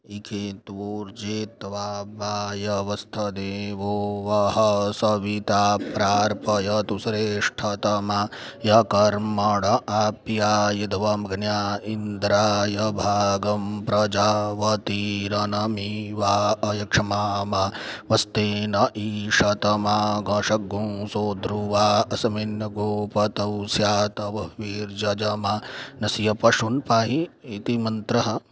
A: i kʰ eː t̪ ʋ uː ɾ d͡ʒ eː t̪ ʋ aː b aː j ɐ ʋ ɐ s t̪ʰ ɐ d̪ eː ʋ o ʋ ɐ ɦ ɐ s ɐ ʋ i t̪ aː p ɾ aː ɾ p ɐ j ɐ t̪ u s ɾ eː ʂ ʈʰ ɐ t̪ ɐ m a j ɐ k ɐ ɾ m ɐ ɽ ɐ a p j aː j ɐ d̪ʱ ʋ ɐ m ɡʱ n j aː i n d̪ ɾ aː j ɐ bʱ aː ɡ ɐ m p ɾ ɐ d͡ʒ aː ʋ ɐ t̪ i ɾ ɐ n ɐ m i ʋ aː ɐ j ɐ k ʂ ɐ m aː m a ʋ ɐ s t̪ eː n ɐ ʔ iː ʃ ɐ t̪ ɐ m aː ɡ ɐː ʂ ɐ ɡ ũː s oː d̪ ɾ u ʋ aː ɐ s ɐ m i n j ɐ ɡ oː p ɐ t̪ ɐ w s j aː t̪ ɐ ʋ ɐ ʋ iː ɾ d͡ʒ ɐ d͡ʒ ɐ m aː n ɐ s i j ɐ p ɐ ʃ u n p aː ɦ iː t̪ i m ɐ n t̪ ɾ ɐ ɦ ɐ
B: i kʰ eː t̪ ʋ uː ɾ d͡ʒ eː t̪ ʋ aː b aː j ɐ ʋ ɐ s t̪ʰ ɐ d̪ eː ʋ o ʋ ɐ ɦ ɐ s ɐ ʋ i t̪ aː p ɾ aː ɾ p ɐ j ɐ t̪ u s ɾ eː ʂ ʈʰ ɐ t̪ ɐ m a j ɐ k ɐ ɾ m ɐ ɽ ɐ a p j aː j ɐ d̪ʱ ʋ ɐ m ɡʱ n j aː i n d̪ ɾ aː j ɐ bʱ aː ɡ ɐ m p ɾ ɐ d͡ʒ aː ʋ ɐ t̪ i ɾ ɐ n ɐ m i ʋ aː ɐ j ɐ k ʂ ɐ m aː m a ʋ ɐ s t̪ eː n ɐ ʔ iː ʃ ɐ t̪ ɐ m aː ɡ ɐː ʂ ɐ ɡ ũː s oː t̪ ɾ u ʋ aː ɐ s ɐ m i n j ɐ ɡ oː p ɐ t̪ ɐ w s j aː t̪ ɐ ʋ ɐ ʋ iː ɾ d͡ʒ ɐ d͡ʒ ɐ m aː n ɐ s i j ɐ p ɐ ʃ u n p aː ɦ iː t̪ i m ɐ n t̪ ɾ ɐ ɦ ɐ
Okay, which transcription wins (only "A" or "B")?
A